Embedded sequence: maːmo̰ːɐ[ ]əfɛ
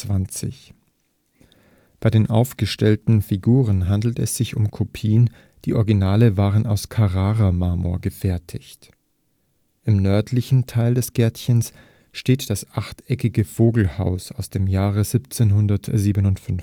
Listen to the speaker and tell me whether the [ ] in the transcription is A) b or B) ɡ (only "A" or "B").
B